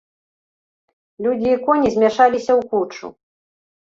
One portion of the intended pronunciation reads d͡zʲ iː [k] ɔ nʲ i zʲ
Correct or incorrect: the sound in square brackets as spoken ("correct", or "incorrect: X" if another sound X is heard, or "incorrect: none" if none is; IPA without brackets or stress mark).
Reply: correct